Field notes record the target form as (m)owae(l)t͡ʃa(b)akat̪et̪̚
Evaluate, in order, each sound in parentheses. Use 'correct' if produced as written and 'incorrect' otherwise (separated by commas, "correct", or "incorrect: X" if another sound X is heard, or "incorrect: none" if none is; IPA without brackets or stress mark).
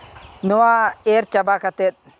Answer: incorrect: n, incorrect: ɾ, correct